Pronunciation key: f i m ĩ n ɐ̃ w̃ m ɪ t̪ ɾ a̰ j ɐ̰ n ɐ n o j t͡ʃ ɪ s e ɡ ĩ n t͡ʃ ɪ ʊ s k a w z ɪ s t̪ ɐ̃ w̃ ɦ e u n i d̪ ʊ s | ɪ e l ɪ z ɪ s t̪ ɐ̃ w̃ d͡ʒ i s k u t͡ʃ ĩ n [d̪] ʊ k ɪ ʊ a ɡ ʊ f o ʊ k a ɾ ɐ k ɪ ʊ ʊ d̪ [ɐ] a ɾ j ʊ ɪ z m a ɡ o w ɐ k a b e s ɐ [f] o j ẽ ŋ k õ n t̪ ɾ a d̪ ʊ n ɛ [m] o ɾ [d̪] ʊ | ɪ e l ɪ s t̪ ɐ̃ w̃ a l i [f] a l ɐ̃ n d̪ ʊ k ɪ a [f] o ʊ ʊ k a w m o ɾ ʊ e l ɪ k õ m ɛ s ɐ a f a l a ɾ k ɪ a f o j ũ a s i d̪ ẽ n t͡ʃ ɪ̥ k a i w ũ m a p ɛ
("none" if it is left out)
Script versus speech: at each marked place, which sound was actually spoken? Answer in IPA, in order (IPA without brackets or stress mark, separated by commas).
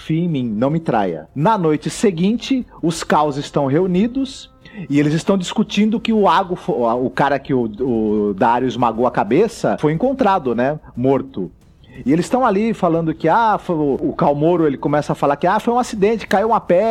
d̪, a, f, m, t̪, f, f